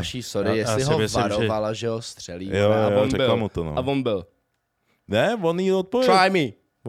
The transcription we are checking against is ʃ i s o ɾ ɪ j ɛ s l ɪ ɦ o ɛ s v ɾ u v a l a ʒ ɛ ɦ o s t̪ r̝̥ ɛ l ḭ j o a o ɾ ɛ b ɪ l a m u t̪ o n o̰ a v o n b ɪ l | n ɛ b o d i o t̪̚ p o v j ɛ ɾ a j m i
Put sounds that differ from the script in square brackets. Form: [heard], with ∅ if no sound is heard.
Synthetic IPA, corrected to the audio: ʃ i s o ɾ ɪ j ɛ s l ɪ ɦ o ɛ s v ɾ [o] v a l a ʒ ɛ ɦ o s t̪ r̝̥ ɛ l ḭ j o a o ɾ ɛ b ɪ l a m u t̪ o n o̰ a v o n b ɪ l | n ɛ [v] o [n] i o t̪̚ p o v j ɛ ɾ a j m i